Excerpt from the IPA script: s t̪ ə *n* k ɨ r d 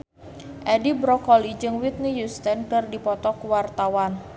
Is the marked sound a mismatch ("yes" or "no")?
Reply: no